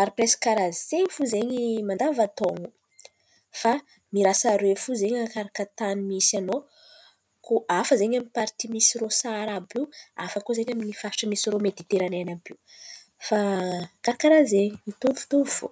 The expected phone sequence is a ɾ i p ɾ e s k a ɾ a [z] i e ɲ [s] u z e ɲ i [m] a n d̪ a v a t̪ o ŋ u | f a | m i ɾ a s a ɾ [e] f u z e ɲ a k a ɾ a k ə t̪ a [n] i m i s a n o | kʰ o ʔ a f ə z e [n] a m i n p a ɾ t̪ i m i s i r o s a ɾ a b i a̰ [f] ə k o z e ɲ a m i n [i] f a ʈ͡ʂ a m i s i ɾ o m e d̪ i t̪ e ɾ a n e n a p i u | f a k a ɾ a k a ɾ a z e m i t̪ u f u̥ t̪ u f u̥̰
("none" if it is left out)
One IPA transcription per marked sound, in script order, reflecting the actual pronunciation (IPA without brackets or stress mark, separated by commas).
z, f, m, e, n, ɲ, f, i